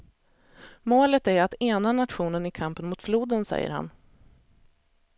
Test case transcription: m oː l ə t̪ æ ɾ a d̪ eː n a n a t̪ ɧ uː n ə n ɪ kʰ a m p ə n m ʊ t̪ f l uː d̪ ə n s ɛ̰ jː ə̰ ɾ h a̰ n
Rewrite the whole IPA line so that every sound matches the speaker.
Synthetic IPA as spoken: m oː l ə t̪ æ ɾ a t̪ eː n a n a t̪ ɧ uː n ə n ɪ kʰ a m p ə n m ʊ t̪ f l uː d̪ ə n s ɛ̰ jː ə̰ ɾ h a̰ n